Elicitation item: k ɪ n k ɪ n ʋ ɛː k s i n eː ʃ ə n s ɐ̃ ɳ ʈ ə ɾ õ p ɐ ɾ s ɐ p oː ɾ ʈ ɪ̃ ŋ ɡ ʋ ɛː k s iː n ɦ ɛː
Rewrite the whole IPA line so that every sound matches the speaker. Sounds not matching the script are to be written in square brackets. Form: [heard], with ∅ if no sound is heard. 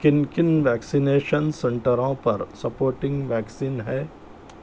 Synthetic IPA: k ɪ n k ɪ n ʋ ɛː k s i n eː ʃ ə n s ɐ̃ ɳ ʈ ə ɾ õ p ɐ ɾ s ɐ p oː ɾ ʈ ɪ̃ ŋ ɡ ʋ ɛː k s iː n ɦ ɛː